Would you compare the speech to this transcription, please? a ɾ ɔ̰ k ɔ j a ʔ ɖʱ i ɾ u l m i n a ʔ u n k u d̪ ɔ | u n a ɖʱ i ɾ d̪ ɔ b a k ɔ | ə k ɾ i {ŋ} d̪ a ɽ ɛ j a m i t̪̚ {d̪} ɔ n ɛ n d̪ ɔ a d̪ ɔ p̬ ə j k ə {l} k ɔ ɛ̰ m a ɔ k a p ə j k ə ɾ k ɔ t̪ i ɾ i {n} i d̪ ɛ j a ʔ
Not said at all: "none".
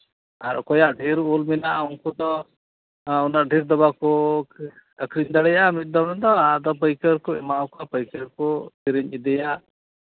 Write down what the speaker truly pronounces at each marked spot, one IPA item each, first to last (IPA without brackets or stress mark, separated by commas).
ɲ, d̪, ɾ, ɲ